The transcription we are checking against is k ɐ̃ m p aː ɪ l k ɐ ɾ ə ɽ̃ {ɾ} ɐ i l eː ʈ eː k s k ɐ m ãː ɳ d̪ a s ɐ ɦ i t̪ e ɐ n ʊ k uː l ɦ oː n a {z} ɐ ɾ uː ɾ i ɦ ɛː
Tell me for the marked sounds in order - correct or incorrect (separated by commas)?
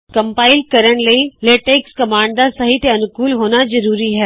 incorrect, correct